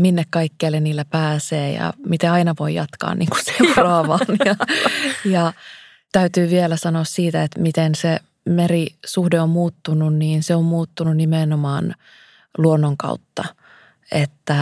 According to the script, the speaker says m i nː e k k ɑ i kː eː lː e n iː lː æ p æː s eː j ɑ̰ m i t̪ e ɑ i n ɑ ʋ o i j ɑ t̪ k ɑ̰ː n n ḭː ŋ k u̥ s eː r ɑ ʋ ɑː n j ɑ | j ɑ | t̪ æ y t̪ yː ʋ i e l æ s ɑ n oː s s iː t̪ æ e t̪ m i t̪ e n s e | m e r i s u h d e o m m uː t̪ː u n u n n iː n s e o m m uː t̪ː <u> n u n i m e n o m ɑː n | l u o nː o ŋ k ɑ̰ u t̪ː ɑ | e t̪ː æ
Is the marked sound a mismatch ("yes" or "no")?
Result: no